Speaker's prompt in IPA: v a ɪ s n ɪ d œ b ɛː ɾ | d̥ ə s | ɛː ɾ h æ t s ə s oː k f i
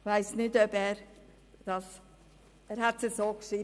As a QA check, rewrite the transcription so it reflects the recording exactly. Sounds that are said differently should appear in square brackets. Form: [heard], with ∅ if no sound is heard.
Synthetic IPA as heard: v a ɪ s n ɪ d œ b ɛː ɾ | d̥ [ɑ] s | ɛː ɾ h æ t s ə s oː k [ʃ] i